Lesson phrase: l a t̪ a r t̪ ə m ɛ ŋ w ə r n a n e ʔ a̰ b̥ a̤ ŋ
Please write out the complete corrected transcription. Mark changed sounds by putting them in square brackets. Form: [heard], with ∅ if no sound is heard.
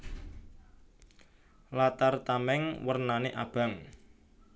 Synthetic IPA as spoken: l a t̪ a r t̪ [a] m ɛ ŋ w ə r n a n e ʔ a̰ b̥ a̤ ŋ